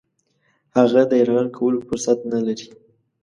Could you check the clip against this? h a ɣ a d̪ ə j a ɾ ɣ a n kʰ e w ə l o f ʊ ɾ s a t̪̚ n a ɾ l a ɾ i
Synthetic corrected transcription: h a ɣ a d̪ ə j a ɾ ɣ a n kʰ a w ə l o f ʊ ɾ s a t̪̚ n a l a ɾ i

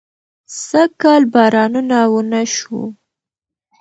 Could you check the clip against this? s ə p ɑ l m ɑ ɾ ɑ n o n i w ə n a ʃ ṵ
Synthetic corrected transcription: s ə k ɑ l b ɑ ɾ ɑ n u n a w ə n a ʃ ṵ

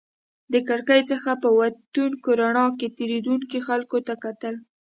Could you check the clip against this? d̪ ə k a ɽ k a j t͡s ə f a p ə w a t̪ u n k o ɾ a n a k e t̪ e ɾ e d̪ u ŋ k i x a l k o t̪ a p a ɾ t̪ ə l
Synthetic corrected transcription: d̪ ə k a ɽ k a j t͡s ə x a p ə w a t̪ u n k o ɾ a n ɑ k e t̪ e ɾ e d̪ u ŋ k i x a l k o t̪ a k a t̪ ə l

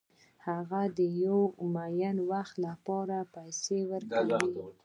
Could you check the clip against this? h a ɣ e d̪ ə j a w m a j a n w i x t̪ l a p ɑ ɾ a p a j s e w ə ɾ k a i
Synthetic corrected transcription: h a ɣ a d̪ ə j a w m a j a n w a x t̪ l a p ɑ ɾ a p a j s e w ə ɾ k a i

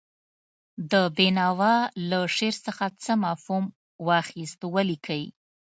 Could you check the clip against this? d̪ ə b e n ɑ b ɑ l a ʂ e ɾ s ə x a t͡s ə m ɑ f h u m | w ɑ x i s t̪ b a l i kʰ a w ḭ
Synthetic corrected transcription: d̪ ə b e n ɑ w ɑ l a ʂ e ɾ s ə x a t͡s ə m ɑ f h u m | w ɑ x i s t̪ w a l i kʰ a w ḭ

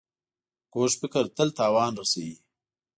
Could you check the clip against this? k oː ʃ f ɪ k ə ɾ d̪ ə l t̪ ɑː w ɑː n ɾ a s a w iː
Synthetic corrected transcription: k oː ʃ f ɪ k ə ɾ t̪ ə l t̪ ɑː w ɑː n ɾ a s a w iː

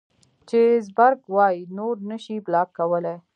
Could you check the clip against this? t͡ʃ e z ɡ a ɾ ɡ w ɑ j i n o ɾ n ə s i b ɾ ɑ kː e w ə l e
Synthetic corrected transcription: t͡ʃ e z b a ɾ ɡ w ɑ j i n o ɾ n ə ʃ i b l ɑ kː a w ə l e

